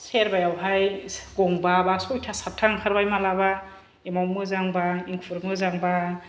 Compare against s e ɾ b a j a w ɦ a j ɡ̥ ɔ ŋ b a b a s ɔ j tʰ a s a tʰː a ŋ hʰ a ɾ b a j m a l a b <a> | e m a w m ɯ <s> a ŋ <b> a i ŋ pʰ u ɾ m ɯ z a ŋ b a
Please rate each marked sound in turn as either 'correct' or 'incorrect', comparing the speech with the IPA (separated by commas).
correct, incorrect, correct